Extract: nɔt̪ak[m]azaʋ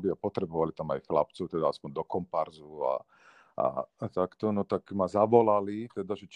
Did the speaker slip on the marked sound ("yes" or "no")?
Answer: no